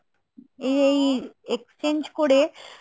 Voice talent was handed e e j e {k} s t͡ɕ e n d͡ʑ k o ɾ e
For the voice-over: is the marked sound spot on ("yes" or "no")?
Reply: yes